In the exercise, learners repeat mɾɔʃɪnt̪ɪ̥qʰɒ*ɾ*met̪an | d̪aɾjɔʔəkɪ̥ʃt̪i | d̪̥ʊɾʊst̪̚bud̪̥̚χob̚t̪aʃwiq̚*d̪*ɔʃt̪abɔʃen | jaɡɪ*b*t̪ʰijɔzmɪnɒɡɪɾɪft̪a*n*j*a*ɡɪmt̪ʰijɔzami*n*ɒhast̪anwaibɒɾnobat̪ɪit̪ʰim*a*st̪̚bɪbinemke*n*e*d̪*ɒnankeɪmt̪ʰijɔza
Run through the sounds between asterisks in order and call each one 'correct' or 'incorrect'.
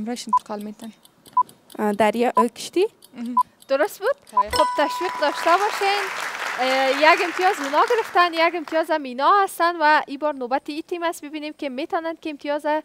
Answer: incorrect: l, correct, incorrect: m, correct, correct, correct, correct, incorrect: m, incorrect: t̪

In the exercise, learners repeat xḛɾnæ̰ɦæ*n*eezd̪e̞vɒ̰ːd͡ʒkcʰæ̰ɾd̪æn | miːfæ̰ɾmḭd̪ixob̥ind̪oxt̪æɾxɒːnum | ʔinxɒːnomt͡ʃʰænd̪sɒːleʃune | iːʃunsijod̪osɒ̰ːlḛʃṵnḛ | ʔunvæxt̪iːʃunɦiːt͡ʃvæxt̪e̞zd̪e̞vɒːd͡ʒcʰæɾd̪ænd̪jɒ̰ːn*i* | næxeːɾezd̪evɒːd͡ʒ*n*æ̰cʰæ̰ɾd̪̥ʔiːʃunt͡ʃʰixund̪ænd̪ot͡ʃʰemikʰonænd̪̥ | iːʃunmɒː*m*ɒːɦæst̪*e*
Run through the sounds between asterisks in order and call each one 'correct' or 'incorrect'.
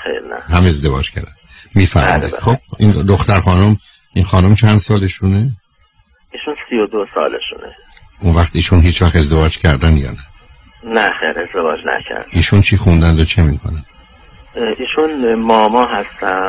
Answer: incorrect: m, incorrect: æ, correct, correct, incorrect: æ

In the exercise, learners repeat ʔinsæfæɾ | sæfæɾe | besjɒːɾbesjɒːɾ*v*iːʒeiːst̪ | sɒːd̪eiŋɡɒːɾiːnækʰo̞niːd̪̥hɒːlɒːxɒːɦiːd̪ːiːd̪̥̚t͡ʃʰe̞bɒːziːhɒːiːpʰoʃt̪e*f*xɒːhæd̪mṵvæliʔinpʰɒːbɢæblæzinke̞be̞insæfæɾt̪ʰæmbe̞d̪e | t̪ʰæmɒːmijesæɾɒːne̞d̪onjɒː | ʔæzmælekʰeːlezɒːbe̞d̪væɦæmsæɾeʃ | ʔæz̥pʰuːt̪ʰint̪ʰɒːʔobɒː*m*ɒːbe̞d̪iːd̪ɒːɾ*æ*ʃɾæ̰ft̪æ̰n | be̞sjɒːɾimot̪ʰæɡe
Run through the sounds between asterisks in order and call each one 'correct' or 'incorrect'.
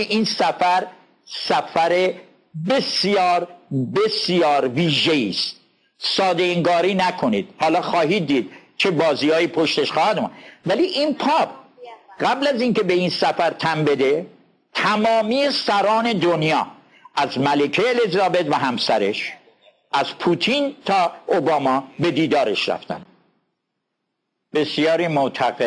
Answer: correct, incorrect: ʃ, correct, incorrect: e

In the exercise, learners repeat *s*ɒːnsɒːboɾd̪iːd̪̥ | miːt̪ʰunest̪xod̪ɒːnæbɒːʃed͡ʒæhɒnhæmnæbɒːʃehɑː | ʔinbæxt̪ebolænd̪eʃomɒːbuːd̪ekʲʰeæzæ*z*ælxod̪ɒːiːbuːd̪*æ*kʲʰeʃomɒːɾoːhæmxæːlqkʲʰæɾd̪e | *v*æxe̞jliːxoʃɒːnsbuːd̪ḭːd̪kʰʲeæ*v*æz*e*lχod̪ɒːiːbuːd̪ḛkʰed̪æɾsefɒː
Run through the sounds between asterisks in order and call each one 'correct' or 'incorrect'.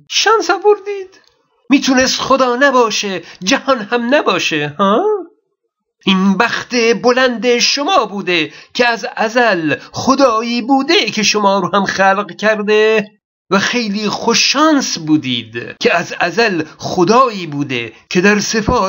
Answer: incorrect: ʃ, correct, incorrect: e, correct, incorrect: z, incorrect: æ

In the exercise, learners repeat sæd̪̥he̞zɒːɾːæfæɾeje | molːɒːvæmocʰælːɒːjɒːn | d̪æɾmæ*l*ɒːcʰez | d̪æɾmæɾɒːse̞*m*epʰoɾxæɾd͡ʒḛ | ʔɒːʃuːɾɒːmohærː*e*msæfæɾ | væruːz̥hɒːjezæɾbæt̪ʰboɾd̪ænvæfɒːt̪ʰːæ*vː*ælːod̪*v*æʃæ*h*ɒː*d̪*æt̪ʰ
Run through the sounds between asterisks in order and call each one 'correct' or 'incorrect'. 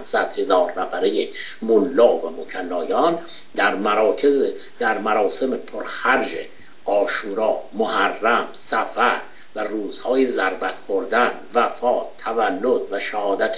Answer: incorrect: ɾ, correct, incorrect: æ, incorrect: v, correct, correct, correct

